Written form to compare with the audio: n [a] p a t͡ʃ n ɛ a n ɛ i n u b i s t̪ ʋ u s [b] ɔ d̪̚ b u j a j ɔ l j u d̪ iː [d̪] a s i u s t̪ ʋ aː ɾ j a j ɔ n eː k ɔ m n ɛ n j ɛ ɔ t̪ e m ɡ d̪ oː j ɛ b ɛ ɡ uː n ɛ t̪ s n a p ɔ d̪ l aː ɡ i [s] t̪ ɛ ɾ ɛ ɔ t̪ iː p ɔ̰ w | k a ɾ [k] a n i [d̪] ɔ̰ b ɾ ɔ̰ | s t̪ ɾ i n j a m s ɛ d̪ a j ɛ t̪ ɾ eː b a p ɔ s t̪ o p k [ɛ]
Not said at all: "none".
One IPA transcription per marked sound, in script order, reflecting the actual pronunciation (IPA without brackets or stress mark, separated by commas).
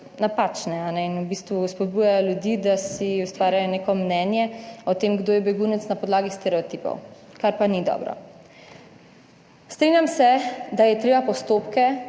a, p, d̪, s, p, d̪, ɛ